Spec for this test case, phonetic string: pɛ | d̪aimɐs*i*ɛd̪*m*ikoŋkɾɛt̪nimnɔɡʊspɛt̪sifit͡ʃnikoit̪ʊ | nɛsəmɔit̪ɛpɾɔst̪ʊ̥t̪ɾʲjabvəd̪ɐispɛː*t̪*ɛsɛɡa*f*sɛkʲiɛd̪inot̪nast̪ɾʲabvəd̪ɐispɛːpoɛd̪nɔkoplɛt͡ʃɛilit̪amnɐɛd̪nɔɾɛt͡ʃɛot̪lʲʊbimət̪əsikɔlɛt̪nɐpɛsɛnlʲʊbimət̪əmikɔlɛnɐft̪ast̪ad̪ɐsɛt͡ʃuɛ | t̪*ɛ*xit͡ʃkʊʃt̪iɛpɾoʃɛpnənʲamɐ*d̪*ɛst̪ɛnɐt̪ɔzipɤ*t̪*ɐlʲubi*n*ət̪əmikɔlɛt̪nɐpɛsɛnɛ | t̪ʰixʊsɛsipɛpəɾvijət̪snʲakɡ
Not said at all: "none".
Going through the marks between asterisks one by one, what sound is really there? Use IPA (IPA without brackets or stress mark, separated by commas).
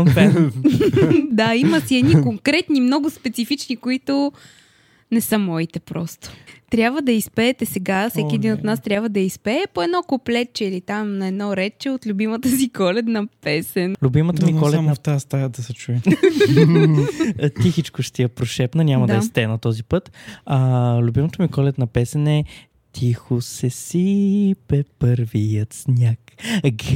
i, n, t̪, f, i, d̪, t̪, m